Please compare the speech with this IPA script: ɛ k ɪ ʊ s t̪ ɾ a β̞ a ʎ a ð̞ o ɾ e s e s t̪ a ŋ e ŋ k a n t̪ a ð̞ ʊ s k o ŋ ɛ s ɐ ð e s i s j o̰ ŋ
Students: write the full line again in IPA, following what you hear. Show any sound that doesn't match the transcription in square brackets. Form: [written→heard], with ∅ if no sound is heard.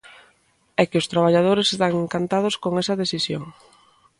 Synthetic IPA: ɛ k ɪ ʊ s t̪ ɾ a β̞ a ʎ a ð̞ o ɾ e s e s t̪ a ŋ e ŋ k a n t̪ a ð̞ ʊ s k o ŋ ɛ s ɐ ð e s i s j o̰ ŋ